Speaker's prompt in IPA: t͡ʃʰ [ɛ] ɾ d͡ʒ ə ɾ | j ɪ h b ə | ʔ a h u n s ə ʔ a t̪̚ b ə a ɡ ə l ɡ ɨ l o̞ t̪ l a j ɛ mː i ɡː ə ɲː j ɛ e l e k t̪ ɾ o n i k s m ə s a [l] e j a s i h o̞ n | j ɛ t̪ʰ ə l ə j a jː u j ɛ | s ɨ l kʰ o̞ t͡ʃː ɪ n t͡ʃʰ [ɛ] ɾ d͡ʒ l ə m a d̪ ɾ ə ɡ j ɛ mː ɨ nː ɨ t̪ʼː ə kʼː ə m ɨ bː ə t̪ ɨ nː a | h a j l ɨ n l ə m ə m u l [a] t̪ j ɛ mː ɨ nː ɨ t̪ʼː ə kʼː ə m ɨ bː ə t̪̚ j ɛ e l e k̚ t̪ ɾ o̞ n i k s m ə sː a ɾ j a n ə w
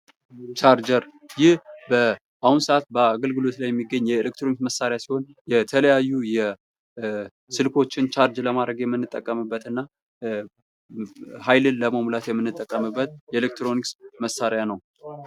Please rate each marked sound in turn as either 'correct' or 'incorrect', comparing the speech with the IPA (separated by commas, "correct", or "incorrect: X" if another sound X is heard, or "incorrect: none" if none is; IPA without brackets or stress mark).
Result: incorrect: a, incorrect: ɾ, incorrect: a, correct